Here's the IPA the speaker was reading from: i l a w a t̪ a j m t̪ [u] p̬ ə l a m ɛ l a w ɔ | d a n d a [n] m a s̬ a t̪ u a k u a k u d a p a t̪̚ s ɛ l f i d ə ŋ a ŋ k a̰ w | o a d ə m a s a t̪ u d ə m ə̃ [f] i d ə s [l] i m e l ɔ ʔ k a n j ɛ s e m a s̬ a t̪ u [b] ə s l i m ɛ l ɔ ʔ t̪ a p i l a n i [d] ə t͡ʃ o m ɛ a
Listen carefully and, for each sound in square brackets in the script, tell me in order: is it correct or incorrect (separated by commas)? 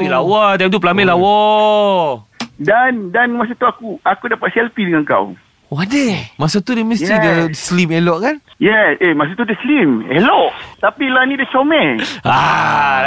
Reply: correct, correct, incorrect, correct, incorrect, correct